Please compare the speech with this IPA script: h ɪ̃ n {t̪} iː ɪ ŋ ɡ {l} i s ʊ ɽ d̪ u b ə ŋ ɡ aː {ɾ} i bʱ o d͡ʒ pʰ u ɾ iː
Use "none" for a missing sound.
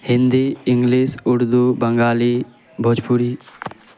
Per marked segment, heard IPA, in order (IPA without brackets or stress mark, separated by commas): d̪, l, l